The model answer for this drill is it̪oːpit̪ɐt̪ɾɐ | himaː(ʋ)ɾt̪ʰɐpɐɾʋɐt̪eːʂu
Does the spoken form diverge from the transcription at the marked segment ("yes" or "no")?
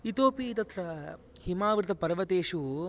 no